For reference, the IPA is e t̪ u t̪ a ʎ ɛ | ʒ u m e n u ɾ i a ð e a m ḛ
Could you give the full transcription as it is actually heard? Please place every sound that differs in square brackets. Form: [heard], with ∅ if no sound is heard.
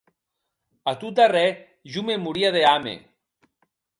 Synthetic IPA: [a] t̪ u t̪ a [r] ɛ | ʒ u m e [m] u ɾ i a ð e a m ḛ